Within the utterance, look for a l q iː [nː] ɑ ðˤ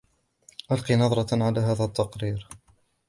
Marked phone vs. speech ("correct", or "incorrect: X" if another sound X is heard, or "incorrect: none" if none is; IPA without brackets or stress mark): incorrect: n